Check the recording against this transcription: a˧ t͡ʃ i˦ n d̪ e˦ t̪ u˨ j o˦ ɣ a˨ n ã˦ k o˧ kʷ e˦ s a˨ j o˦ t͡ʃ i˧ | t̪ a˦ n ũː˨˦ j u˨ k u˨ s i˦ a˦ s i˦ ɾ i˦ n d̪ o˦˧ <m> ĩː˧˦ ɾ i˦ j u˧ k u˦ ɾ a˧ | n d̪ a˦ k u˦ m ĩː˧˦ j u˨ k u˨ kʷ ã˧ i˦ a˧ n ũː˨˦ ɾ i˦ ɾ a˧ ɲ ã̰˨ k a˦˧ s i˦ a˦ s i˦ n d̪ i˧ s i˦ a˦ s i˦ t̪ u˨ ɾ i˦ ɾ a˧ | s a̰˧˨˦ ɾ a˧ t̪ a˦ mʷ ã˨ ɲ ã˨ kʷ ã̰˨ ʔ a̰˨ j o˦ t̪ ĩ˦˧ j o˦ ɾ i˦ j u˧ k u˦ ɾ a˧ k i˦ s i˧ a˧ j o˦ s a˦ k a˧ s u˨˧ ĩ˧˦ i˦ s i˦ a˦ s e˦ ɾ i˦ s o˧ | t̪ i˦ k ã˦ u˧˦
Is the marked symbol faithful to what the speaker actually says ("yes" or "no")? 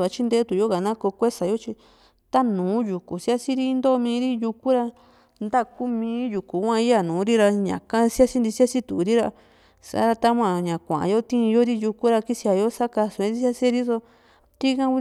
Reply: yes